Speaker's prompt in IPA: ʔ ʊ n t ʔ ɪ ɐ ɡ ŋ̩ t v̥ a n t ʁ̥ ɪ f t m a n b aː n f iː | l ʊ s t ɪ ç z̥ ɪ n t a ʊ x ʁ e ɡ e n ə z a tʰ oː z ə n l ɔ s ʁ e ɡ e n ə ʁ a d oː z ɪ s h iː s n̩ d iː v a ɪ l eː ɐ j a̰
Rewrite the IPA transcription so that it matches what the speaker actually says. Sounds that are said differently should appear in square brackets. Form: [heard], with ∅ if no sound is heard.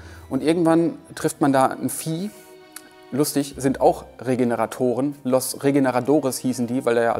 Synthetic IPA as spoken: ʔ ʊ n t ʔ ɪ ɐ ɡ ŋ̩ t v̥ a n t ʁ̥ ɪ f t m a n [d] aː n f iː | l ʊ s t ɪ ç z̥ ɪ n t a ʊ x ʁ e ɡ e n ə [ʁ] a tʰ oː [ʁ] ə n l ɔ s ʁ e ɡ e n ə ʁ a d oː [ʁ] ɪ s h iː s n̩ d iː v a ɪ l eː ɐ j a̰